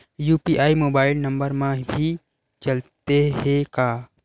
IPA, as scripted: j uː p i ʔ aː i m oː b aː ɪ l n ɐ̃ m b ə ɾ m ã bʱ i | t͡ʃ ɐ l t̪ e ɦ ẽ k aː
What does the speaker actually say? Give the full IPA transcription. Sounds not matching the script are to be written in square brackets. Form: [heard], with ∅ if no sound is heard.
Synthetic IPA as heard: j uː p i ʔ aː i m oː b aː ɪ l n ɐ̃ m b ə ɾ m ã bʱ i | t͡ʃ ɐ l t̪ e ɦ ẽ k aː